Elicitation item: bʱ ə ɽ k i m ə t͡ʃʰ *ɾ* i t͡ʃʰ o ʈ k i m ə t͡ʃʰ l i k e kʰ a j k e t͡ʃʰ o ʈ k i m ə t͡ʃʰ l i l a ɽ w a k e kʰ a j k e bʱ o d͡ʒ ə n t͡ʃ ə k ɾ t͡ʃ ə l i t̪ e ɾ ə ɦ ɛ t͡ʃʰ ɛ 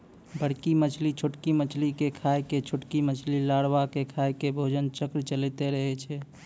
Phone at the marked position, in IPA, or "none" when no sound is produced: l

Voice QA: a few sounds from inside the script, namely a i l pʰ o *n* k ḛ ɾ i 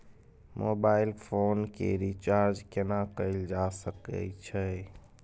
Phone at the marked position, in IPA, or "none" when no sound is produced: n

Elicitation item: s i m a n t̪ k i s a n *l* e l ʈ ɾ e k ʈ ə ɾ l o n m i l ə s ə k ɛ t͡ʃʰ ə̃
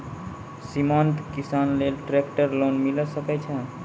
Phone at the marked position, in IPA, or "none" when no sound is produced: l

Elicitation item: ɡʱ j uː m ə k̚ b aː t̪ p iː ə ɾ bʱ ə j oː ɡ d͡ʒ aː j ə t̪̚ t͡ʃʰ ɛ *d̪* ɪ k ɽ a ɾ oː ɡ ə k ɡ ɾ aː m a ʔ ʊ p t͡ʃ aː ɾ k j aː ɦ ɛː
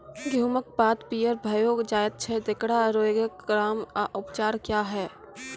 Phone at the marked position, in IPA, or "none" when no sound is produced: d̪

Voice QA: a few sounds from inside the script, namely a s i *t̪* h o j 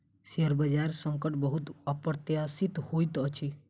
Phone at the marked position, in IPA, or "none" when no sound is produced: t̪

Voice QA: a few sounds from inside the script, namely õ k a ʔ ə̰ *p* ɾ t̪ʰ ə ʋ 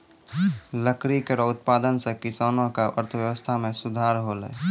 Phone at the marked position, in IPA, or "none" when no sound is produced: none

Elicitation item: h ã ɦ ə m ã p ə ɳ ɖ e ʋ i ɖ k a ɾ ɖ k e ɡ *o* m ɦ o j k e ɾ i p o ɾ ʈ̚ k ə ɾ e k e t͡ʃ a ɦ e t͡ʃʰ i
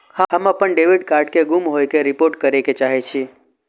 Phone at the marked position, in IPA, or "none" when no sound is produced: u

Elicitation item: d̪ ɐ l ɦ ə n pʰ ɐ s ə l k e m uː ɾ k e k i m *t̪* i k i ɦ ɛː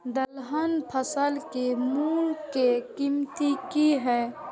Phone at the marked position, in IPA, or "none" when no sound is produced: t̪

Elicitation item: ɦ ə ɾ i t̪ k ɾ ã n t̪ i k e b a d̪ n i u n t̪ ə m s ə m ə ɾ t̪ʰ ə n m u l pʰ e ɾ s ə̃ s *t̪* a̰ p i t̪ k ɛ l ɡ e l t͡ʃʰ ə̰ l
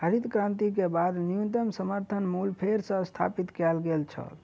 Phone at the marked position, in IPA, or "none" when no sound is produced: t̪ʰ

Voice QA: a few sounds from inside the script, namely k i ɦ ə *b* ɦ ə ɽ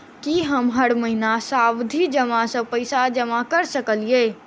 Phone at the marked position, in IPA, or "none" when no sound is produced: m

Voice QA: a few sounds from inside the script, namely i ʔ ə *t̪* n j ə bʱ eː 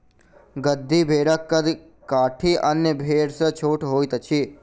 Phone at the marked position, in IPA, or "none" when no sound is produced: none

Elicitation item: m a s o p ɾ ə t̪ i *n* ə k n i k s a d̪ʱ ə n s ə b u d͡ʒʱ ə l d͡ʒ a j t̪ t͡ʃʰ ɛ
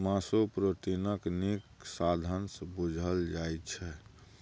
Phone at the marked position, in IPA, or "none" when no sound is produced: n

